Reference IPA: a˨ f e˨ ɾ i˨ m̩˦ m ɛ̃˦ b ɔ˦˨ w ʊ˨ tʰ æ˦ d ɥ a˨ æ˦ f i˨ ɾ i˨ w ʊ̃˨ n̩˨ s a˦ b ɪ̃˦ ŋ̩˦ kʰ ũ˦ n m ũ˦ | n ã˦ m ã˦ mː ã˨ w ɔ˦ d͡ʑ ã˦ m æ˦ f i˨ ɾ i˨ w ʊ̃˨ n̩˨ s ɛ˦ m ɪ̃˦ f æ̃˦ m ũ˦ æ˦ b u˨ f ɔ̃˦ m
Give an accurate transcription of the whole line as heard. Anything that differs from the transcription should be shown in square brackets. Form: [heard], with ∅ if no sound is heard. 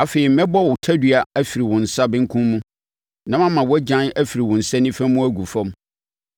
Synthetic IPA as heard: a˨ f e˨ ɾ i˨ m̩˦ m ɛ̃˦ b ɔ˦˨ w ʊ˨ tʰ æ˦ d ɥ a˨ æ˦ f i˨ ɾ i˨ w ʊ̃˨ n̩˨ s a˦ b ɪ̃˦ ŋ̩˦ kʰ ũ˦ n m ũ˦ | n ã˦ m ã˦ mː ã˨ w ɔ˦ d͡ʑ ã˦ [n] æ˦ f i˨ ɾ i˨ w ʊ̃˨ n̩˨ s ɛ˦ [n] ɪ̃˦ f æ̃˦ m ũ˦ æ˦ [ɡ] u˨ f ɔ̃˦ m